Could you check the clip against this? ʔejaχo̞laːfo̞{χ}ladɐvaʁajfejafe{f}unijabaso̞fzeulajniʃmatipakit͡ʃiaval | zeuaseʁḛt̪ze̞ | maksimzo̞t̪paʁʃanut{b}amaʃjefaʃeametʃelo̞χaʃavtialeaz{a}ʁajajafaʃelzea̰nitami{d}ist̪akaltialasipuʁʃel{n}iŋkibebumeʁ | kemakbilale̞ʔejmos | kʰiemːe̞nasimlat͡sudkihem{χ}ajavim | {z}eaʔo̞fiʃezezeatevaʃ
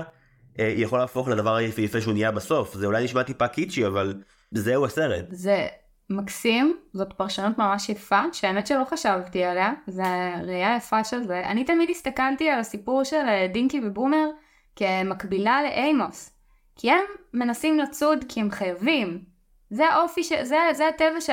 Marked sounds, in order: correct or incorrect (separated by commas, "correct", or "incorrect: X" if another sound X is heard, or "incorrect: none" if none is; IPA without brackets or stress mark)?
correct, incorrect: ʃ, incorrect: m, incorrect: e, correct, incorrect: d, correct, correct